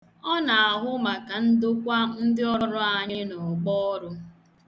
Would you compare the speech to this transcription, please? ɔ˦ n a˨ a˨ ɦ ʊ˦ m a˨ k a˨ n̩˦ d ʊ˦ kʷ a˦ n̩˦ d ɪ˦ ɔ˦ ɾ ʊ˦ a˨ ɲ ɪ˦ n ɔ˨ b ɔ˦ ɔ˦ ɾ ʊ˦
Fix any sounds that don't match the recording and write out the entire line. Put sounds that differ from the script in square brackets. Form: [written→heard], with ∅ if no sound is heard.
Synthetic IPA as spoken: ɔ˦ n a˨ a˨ ɦ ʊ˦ m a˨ k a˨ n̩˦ d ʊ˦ kʷ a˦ n̩˦ d ɪ˦ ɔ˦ ɾ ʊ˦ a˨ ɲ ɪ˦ n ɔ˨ [b→ɡ͡b] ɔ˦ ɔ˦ ɾ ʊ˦